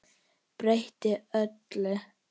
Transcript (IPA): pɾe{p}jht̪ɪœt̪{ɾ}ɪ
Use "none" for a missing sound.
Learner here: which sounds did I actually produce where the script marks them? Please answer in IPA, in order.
none, l

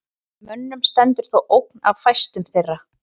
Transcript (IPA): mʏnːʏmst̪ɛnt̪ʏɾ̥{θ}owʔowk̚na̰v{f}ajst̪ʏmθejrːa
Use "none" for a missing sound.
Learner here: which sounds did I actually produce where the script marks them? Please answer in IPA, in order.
θ, f

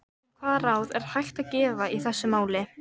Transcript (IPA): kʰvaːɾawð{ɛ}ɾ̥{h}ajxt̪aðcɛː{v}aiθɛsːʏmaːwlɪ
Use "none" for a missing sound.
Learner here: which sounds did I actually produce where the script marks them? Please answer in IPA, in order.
ɛ, h, v

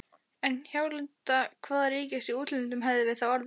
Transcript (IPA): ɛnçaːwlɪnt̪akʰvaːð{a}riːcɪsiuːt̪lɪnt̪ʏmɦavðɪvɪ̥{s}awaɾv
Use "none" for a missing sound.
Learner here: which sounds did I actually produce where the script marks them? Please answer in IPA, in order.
a, θ

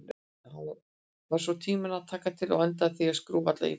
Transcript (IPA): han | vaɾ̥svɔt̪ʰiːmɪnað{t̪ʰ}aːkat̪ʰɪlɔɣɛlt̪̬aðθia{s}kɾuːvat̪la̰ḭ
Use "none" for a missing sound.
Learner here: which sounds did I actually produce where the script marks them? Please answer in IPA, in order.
t̪ʰ, s

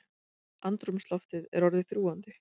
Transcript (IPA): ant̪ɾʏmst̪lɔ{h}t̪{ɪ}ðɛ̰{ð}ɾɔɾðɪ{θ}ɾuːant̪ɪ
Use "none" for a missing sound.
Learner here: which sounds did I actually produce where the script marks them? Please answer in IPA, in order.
f, ɪ, none, θ

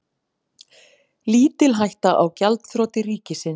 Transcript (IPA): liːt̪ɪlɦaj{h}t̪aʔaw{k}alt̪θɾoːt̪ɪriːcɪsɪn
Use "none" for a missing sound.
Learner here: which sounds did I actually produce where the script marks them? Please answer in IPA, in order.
h, c

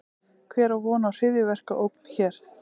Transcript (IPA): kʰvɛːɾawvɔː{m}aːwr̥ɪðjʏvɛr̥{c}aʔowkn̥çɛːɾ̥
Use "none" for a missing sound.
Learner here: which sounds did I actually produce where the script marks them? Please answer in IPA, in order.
n, k

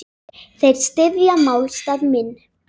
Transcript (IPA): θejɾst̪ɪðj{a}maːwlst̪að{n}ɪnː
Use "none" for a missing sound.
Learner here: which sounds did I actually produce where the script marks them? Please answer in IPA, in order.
a, m

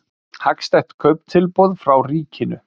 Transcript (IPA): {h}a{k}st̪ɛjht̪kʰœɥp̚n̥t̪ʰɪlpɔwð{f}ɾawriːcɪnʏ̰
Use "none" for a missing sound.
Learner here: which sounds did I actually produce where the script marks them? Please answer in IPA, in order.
h, k, f

